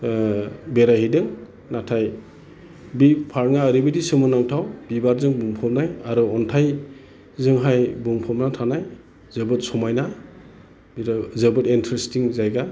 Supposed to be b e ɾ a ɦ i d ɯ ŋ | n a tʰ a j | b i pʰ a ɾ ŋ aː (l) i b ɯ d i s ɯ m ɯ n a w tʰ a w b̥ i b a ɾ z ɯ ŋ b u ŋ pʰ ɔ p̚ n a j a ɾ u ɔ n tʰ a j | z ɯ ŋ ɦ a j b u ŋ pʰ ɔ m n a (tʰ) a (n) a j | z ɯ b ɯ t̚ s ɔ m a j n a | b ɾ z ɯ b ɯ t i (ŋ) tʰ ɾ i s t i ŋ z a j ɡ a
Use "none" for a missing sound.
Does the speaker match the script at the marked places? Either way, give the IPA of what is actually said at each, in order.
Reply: ɾ, tʰ, n, n

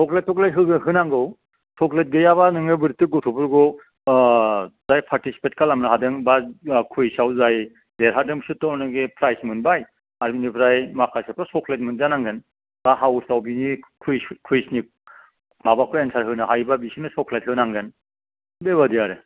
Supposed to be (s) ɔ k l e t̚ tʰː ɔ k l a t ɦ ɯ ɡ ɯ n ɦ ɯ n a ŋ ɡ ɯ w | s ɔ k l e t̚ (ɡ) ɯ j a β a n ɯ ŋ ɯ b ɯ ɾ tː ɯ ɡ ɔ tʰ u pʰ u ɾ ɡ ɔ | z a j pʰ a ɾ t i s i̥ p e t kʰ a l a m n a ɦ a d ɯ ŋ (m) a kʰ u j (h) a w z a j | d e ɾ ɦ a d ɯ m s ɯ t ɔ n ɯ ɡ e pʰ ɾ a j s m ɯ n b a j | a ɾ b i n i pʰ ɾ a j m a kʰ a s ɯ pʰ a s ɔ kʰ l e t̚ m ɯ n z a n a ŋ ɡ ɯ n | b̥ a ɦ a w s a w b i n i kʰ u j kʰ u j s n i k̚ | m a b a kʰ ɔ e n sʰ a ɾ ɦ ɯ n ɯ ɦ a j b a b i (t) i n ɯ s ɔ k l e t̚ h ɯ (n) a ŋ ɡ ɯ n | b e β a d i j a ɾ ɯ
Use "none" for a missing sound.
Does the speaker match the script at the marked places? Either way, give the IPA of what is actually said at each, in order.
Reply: s, ɡ, b, s, s, n

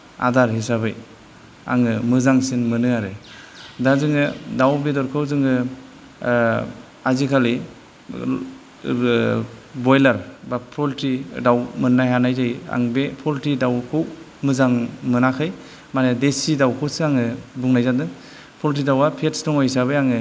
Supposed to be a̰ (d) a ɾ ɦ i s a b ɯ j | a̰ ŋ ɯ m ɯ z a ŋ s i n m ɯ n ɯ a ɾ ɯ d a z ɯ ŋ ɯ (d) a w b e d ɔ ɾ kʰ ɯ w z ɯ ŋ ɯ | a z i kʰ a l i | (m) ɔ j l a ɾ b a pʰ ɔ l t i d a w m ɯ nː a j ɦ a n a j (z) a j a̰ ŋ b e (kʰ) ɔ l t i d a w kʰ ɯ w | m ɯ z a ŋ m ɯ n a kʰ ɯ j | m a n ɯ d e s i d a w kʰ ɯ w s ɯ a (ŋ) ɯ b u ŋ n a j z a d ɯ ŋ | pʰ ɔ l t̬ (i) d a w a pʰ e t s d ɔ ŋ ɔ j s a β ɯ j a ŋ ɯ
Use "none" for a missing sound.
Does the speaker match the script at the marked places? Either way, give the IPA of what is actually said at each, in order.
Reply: d, d, b, z, pʰ, ŋ, i

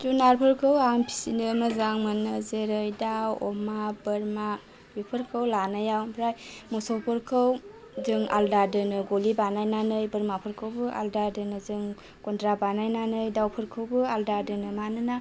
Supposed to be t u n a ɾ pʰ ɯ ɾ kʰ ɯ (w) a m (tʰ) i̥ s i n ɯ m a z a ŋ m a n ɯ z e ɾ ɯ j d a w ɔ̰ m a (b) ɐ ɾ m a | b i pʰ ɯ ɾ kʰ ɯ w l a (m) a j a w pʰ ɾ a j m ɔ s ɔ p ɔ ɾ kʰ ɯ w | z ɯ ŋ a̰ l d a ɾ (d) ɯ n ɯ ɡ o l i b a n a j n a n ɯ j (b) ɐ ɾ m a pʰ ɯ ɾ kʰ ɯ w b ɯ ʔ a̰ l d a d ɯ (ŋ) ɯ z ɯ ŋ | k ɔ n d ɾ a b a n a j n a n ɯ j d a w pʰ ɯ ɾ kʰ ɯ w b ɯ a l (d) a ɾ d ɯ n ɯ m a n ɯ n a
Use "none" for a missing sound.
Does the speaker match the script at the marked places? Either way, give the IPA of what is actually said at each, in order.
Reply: w, pʰ, b, n, d, b, n, d

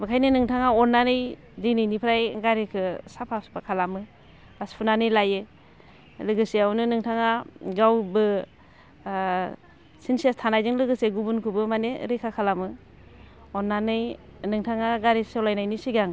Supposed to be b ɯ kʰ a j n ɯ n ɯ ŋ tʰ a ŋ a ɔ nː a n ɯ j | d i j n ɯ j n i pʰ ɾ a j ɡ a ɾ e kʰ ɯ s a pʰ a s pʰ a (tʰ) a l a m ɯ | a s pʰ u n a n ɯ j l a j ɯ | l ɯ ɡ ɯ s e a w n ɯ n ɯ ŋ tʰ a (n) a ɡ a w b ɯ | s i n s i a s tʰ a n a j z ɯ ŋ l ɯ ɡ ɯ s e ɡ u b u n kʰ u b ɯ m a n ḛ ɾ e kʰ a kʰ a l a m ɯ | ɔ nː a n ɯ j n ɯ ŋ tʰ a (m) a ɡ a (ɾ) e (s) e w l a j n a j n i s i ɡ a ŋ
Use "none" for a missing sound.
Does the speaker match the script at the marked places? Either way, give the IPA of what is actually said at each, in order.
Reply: kʰ, ŋ, ŋ, ɾ, s

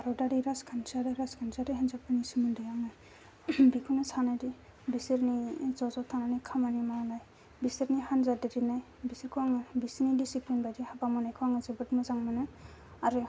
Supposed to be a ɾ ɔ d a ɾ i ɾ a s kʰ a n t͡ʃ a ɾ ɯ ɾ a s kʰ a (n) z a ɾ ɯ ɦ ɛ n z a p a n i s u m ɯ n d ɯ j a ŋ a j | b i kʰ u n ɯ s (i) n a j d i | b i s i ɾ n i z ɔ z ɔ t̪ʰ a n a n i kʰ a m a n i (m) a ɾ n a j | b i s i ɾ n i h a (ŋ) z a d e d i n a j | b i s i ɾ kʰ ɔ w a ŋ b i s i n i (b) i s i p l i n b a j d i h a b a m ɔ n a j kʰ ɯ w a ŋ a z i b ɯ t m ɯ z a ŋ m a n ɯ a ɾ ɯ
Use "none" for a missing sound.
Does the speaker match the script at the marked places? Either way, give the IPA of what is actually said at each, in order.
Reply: n, a, m, n, d

